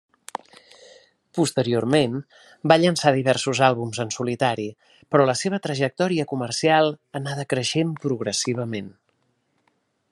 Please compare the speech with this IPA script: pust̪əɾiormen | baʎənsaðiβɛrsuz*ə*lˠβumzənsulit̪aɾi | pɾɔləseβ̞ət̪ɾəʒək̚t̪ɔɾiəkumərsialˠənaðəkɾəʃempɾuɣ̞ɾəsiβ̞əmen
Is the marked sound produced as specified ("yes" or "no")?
no